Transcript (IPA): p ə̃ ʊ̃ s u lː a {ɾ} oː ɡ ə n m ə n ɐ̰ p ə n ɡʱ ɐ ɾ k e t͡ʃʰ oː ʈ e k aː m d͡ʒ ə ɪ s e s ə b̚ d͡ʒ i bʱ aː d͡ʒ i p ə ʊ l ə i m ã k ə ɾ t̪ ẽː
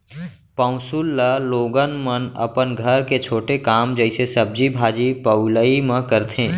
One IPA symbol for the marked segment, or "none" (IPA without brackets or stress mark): l